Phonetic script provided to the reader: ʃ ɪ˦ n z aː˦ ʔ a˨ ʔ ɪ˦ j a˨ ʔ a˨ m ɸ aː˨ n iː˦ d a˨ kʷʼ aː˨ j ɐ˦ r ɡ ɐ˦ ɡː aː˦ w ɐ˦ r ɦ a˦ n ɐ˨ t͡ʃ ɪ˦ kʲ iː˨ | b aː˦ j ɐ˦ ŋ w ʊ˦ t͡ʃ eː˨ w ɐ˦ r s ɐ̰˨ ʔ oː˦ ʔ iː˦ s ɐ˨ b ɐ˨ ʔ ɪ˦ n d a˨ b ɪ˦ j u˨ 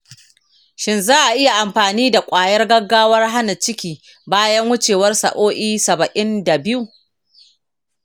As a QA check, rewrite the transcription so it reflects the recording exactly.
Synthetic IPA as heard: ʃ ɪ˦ n z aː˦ ʔ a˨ ʔ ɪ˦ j a˨ ʔ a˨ m ɸ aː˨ n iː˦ d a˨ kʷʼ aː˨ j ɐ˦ r ɡ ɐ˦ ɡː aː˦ w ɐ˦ r ɦ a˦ n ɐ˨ t͡ʃ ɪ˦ kʲ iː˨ | b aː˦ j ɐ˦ ŋ w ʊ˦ t͡ʃ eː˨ w ɐ˦ r s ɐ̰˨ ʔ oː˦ ʔ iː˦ s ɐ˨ b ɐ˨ ʔ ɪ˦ n d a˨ b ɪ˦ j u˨